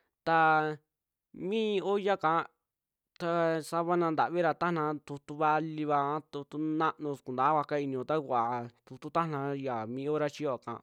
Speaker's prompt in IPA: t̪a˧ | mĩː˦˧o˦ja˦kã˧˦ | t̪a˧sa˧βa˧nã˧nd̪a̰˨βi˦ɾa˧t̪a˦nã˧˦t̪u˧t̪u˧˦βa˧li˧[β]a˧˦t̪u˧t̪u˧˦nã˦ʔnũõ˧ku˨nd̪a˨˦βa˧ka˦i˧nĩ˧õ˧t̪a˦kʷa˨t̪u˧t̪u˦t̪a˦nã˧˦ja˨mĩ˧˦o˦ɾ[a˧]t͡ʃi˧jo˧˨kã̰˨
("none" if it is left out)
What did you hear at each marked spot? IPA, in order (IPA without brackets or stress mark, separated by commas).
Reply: β, a˧